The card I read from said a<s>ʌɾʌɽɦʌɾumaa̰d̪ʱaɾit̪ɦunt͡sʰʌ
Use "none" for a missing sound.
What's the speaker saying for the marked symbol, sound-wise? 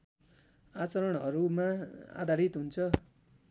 t͡s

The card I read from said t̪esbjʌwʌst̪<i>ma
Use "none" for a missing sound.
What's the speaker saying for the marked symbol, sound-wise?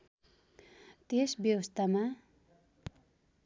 a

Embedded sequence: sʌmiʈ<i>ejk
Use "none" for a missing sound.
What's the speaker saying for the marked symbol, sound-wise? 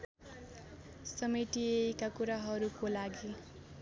i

